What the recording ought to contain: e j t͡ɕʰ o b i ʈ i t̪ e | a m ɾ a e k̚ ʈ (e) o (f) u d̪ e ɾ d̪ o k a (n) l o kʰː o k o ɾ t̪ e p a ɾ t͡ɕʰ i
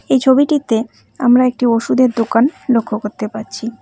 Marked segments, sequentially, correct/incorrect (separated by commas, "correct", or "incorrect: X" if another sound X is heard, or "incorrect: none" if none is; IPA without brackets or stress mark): incorrect: i, incorrect: ʃ, correct